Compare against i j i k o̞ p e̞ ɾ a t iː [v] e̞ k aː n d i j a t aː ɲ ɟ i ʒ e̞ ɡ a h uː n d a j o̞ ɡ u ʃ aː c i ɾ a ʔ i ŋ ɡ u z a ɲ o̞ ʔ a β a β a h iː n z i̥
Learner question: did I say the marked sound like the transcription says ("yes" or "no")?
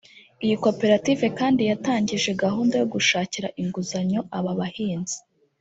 yes